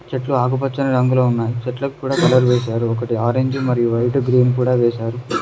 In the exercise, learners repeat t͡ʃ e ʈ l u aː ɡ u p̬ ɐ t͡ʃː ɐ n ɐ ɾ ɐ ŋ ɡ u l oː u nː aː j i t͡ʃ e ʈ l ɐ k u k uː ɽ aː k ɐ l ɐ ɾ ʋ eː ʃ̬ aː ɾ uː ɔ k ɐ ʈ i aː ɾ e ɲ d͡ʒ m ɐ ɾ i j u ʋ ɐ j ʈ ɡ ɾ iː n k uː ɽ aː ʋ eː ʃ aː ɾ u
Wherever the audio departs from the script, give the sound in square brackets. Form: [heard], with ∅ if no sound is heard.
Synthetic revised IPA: t͡ʃ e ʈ l u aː ɡ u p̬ ɐ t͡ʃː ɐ n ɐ ɾ ɐ ŋ ɡ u l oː u nː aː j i t͡ʃ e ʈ l ɐ k u k uː ɽ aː k ɐ l ɐ ɾ ʋ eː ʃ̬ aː ɾ [u] ɔ k ɐ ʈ i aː ɾ e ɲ d͡ʒ m ɐ ɾ i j u ʋ ɐ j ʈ ɡ ɾ iː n k uː ɽ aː ʋ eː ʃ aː ɾ u